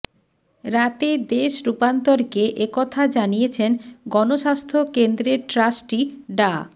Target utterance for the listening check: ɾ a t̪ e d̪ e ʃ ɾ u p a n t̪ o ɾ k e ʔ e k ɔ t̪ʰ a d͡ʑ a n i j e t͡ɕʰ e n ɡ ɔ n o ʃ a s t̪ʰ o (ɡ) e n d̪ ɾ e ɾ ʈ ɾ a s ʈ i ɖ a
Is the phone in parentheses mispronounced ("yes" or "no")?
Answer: yes